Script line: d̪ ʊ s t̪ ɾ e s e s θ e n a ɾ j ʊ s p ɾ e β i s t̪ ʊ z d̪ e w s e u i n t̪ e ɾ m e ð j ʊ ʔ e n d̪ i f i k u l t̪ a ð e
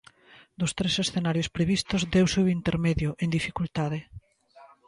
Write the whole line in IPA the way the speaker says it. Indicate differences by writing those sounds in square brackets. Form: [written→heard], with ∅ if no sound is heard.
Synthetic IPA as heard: d̪ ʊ s t̪ ɾ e s e s θ e n a ɾ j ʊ s p ɾ e β i s t̪ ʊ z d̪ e w s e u i n t̪ e ɾ m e ð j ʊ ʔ e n d̪ i f i k u l t̪ a ð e

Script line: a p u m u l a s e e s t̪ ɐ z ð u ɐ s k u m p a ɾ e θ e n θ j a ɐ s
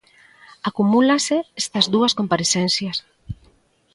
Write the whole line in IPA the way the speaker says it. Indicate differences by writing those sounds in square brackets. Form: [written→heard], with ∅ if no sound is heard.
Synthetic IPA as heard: a [p→k] u m u l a s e e s t̪ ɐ z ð u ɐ s k [u→o] m p a ɾ e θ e n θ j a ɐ s

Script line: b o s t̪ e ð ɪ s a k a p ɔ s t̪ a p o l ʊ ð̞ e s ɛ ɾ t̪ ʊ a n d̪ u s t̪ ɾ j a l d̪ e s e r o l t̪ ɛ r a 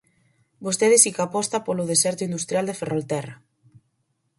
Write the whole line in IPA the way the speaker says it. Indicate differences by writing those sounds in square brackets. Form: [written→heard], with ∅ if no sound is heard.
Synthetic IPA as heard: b o s t̪ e ð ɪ s [a→i] k a p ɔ s t̪ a p o l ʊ ð̞ e s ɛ ɾ t̪ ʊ [a→i] n d̪ u s t̪ ɾ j a l d̪ e [s→f] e r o l t̪ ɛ r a

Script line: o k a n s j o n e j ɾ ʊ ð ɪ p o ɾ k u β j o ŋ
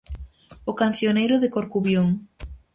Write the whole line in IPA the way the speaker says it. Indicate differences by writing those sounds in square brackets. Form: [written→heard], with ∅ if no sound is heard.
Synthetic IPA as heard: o k a n [s→θ] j o n e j ɾ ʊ ð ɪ [p→k] o ɾ k u β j o ŋ

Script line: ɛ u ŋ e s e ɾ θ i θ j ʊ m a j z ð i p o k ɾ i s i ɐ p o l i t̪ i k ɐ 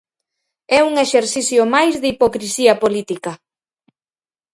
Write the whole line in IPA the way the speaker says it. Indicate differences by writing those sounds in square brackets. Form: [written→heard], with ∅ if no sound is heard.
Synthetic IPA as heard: ɛ u ŋ e [s→ʃ] e ɾ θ i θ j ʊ m a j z ð i p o k ɾ i s i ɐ p o l i t̪ i k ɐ

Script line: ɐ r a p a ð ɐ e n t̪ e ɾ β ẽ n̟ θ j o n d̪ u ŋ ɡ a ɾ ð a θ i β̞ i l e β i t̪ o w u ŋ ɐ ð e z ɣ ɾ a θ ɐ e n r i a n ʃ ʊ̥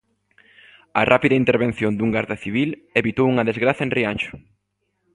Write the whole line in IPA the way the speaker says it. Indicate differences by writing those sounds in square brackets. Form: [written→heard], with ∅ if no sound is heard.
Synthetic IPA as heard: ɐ r a p [a→i] ð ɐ [e→i] n t̪ e ɾ β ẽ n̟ θ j o n d̪ u ŋ ɡ a ɾ ð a θ i β̞ i l e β i t̪ o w u ŋ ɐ ð e z ɣ ɾ a θ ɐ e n r i a n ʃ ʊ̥

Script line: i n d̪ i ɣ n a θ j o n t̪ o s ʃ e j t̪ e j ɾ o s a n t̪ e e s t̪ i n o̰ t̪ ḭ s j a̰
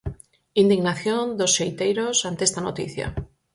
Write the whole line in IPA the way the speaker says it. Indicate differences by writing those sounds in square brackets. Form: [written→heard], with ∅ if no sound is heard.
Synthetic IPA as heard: i n d̪ i ɣ n a θ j o n [t̪→d̪] o s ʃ e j t̪ e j ɾ o s a n t̪ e e s t̪ [i→a] n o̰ t̪ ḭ [s→θ] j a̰

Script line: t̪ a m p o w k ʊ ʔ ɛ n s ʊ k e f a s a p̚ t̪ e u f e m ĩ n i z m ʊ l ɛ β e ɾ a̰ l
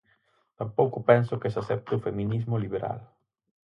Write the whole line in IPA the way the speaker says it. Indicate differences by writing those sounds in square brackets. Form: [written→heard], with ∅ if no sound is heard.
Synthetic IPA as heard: t̪ a m p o w k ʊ [ʔ→p] ɛ n s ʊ k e [f→s] a s [a→ɛ] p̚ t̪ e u f e m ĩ n i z m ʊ l [ɛ→i] β e ɾ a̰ l

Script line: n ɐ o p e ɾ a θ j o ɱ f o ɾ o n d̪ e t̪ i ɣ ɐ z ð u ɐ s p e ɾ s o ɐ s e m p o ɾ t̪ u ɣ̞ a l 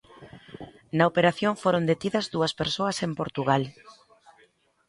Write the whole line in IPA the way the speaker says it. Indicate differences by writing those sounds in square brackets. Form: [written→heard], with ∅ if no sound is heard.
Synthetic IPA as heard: n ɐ o p e ɾ a θ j o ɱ f o ɾ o n d̪ e t̪ i [ɣ→ð] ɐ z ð u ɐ s p e ɾ s o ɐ s e m p o ɾ t̪ u ɣ̞ a l

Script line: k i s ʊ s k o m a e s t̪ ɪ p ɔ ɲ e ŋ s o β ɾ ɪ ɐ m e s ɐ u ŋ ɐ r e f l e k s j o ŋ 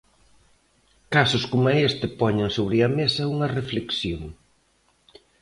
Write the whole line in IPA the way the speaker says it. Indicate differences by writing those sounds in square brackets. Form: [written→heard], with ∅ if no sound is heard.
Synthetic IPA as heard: k [i→a] s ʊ s k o m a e s t̪ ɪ p ɔ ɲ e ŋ s o β ɾ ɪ ɐ m e s ɐ u ŋ ɐ r e f l e k s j o ŋ

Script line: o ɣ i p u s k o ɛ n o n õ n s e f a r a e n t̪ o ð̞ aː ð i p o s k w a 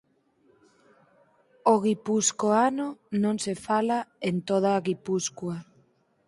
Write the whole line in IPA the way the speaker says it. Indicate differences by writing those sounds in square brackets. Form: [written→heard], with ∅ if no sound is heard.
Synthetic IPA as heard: o ɣ i p u s k o [ɛ→a] n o n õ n s e f a [r→l] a e n t̪ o ð̞ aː [ð→ɣ] i p [o→u] s k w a

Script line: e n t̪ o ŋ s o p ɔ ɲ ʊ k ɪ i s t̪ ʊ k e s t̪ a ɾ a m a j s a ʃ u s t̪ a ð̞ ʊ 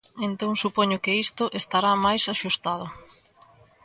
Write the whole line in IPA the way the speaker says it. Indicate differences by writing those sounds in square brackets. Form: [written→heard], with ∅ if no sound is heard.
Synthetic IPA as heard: e n t̪ o ŋ s [o→u] p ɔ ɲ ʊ k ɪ i s t̪ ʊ [k→ʔ] e s t̪ a ɾ a m a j s a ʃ u s t̪ a ð̞ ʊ

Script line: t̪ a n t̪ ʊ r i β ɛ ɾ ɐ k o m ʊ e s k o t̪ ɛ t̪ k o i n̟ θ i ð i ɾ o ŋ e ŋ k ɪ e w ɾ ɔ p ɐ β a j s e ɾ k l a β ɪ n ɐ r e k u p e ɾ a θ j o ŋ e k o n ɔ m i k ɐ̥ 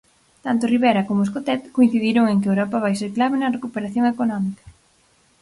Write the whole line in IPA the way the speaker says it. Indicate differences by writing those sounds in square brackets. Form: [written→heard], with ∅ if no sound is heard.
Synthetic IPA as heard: t̪ a n t̪ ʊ r i β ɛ ɾ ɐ k o m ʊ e s k o t̪ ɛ t̪ k o i n̟ θ i ð i ɾ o ŋ e ŋ k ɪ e w ɾ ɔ p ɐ β a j s e ɾ k l a β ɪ n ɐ r e k u p e ɾ a θ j o ŋ e k o n ɔ m i k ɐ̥

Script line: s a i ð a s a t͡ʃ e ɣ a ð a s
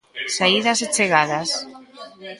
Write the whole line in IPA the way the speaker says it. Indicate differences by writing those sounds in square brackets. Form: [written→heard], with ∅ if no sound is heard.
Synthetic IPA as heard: s a i ð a s [a→e] t͡ʃ e ɣ a ð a s

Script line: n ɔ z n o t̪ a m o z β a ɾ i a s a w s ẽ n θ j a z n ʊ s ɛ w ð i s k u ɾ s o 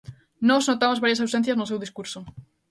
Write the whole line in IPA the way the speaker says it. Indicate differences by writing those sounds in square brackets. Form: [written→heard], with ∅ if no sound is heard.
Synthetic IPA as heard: n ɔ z n o t̪ a m o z β a ɾ [i→j] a s a w s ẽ n θ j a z n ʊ s [ɛ→e] w ð i s k u ɾ s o

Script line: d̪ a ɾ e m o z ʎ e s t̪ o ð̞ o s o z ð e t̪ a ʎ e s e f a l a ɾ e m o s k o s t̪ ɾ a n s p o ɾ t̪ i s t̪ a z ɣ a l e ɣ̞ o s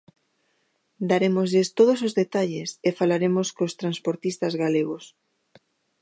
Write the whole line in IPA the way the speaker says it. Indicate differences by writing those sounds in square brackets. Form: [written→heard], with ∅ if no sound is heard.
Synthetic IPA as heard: d̪ a ɾ e m o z ʎ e s t̪ o ð̞ o s o z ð e t̪ a ʎ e s e f a l a ɾ e m o s k o s t̪ ɾ a n s p o ɾ t̪ i s t̪ a z ɣ a l e ɣ̞ o s

